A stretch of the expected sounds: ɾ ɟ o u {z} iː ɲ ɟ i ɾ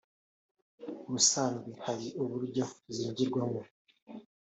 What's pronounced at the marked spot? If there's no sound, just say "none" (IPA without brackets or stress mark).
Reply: z